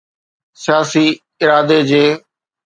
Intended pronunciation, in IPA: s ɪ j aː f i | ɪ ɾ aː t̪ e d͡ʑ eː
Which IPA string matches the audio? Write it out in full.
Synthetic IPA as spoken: s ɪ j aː s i | ɪ ɾ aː d̪ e d͡ʑ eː